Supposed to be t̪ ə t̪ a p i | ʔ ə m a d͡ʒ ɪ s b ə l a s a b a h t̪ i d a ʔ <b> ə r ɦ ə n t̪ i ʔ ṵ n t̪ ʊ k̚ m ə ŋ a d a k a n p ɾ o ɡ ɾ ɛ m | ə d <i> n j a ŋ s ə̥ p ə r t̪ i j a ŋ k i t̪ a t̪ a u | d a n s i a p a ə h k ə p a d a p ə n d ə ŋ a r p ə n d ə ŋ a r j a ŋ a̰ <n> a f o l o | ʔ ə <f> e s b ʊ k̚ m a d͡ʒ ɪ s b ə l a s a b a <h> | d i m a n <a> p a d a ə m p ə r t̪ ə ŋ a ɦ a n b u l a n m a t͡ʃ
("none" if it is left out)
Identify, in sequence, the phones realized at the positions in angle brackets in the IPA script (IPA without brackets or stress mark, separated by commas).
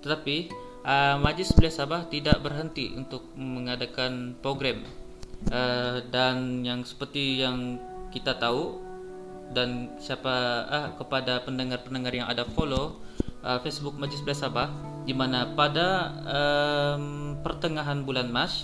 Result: b, a, d, f, h, a